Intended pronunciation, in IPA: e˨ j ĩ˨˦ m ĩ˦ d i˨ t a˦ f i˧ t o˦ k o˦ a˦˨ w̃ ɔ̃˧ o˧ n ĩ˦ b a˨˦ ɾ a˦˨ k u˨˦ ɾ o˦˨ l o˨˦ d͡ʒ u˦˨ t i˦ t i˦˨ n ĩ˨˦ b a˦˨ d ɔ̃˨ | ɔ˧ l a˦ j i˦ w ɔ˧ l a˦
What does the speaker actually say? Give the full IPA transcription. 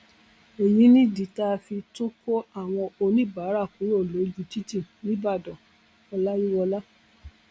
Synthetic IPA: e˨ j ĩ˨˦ n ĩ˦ d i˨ t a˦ f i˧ t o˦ k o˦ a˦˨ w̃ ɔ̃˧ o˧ n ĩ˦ b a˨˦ ɾ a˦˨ k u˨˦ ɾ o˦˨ l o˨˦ d͡ʒ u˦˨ t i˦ t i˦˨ n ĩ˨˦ b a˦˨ d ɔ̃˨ | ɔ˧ l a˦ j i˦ w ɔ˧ l a˦